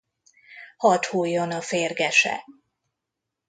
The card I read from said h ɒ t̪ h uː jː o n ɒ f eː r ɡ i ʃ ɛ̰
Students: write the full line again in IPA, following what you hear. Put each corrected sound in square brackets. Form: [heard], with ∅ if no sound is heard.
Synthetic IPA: h ɒ t̪ h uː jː o n ɒ f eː r ɡ [ɛ] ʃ ɛ̰